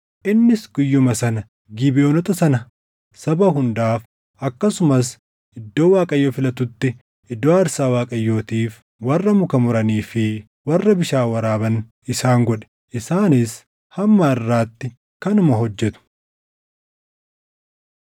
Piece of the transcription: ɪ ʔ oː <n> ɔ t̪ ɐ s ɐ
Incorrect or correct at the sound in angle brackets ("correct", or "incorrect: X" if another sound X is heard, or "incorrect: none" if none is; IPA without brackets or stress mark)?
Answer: correct